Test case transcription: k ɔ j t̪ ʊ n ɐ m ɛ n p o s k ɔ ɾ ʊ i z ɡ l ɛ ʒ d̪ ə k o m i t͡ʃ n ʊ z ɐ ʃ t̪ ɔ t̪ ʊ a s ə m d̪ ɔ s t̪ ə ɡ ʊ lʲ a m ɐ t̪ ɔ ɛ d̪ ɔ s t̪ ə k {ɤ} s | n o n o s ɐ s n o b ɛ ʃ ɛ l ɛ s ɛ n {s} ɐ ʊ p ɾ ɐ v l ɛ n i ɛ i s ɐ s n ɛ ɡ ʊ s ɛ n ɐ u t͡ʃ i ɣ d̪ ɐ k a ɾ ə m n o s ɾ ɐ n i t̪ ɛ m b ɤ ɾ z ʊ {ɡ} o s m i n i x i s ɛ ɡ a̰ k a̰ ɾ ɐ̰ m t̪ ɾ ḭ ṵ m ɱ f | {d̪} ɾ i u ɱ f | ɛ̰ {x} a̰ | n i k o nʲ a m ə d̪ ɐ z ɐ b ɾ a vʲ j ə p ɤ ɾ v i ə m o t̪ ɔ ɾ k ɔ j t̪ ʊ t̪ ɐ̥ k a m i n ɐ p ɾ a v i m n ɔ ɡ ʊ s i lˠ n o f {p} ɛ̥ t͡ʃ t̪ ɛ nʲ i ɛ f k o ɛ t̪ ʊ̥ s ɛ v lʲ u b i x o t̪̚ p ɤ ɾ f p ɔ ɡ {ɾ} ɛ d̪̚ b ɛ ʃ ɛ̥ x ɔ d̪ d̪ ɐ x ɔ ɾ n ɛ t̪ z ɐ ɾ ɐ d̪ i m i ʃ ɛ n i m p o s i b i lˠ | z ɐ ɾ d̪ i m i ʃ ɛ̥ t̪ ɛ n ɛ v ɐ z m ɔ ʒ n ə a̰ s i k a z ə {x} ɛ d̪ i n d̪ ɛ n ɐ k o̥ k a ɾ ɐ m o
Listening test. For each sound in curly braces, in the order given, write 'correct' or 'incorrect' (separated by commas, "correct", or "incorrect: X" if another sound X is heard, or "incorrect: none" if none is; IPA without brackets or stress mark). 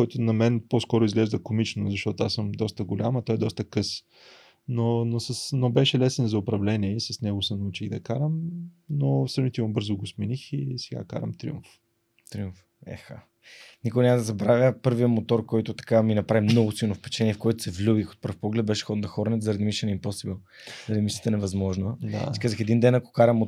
correct, incorrect: z, correct, incorrect: t̪, correct, correct, incorrect: l, correct